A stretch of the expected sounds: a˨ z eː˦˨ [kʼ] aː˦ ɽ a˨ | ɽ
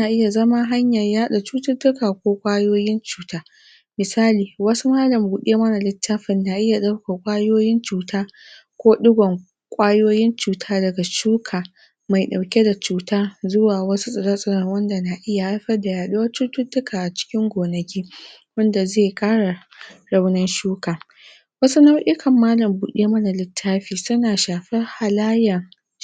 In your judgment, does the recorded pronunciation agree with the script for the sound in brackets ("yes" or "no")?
yes